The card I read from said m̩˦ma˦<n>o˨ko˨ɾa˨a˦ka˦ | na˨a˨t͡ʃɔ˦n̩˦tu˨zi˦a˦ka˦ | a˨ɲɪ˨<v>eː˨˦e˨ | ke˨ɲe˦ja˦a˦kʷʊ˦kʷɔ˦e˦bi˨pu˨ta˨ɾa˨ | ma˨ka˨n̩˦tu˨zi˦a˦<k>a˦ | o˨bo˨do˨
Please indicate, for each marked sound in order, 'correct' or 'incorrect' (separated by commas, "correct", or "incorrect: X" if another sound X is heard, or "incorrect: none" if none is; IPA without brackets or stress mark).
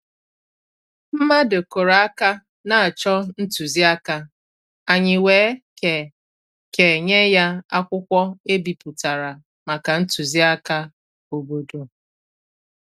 incorrect: d, incorrect: w, correct